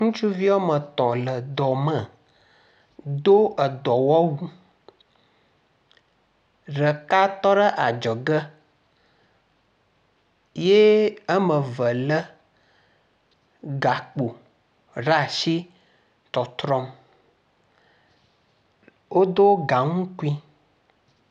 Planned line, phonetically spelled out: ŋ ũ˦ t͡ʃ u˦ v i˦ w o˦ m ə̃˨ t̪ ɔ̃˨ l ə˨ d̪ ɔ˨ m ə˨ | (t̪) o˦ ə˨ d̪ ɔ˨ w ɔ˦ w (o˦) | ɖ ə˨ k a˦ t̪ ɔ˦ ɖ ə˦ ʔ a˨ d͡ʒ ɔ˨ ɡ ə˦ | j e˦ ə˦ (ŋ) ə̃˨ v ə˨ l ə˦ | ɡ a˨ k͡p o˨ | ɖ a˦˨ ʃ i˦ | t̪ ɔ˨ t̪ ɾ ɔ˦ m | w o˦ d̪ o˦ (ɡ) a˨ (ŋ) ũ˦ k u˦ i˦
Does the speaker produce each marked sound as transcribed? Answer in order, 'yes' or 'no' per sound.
no, no, no, yes, yes

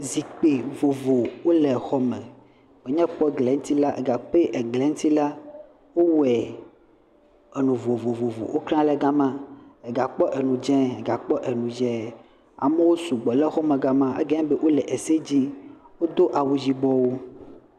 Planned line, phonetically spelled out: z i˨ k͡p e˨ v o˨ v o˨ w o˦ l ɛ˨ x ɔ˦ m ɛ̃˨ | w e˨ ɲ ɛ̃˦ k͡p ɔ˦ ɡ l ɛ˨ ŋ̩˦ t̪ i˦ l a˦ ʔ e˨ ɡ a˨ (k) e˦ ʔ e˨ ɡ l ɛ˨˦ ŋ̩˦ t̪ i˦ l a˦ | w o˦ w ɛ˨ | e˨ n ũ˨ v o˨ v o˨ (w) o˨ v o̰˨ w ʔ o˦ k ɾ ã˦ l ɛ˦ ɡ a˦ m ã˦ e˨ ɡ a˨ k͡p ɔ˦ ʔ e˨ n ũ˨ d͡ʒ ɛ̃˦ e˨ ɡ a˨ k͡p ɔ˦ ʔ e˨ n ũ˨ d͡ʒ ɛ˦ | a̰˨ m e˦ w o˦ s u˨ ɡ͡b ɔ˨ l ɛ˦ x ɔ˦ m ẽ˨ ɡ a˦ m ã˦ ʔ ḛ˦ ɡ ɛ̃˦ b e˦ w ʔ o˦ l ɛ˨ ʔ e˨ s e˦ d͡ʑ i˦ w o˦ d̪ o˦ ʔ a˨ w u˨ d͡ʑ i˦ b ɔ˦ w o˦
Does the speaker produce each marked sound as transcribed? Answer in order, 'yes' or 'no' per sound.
no, no

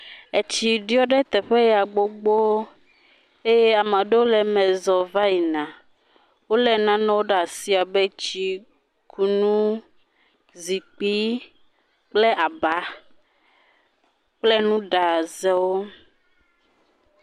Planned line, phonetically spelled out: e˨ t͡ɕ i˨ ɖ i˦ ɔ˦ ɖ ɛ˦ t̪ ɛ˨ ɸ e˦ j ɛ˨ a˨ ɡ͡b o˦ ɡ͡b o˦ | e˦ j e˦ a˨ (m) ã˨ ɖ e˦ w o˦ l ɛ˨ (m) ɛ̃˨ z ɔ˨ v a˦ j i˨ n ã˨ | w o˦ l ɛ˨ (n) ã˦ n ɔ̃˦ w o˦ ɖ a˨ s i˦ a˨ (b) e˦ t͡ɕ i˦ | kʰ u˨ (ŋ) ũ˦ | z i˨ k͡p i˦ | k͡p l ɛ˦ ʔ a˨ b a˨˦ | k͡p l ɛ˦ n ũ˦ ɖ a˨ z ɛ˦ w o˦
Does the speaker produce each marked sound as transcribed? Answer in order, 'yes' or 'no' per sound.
yes, yes, yes, yes, no

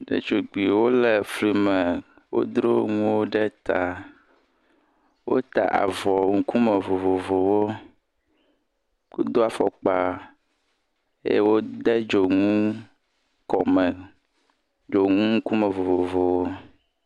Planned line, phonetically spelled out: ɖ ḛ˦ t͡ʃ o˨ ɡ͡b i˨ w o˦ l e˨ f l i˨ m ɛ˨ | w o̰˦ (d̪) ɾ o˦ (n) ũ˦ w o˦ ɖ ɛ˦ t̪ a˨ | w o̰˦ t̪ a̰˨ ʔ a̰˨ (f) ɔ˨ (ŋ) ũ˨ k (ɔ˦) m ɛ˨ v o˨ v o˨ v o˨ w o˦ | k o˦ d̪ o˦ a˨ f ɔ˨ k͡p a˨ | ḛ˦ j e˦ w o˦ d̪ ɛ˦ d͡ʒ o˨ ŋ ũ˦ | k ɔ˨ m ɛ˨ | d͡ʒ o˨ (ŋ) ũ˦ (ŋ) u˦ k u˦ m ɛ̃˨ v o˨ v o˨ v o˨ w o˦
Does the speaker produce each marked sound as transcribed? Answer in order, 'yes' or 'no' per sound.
yes, no, no, yes, no, yes, yes

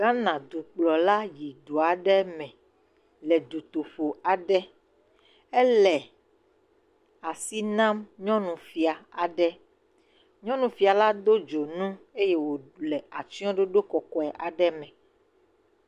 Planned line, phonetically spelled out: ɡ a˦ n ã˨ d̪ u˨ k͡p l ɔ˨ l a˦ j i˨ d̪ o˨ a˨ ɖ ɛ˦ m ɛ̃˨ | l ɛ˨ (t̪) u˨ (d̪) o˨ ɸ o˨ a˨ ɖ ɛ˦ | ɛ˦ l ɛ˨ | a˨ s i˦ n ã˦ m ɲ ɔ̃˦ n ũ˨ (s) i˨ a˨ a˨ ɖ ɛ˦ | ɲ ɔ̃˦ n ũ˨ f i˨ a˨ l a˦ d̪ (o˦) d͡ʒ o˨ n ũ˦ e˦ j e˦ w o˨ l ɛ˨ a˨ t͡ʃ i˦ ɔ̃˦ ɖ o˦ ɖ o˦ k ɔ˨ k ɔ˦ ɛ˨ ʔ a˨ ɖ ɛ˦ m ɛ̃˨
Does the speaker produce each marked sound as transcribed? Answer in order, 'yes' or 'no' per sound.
no, no, no, yes

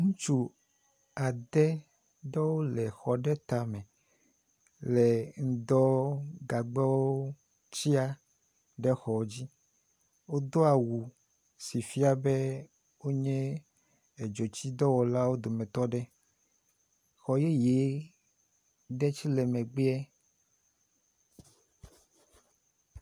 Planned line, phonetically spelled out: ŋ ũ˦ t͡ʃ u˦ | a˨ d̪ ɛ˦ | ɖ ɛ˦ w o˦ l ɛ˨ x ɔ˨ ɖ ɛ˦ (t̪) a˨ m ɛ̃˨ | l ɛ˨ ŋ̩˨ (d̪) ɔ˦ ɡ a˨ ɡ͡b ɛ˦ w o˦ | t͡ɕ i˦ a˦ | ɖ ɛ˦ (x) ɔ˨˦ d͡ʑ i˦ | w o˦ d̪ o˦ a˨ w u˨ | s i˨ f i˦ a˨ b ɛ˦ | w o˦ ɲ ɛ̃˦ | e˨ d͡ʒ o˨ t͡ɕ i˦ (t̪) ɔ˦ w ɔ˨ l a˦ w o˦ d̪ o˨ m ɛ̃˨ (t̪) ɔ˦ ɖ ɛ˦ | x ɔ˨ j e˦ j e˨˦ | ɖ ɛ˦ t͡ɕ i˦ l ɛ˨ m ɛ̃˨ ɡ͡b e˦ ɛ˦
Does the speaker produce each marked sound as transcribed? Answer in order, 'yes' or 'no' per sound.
yes, yes, yes, no, yes

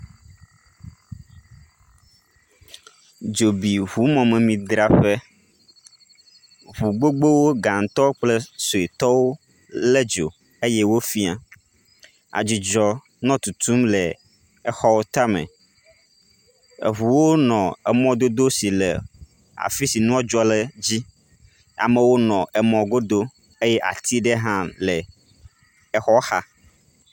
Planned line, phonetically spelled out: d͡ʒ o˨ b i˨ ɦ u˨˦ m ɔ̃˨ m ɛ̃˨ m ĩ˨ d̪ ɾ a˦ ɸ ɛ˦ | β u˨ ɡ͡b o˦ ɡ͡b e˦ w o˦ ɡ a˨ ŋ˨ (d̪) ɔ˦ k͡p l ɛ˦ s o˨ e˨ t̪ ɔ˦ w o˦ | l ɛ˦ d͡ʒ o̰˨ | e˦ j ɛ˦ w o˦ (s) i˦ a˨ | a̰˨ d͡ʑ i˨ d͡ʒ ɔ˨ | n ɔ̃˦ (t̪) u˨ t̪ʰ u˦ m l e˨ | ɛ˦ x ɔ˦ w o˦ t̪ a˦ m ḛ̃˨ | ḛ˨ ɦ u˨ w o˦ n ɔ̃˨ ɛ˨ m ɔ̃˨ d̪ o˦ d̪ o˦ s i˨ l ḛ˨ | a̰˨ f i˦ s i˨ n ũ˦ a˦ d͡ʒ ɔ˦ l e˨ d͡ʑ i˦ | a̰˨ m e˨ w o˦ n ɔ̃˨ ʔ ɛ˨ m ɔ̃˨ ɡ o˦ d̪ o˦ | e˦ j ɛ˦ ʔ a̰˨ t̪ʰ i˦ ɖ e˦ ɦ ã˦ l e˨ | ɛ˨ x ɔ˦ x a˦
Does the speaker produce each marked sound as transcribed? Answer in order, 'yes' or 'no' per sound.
no, no, yes

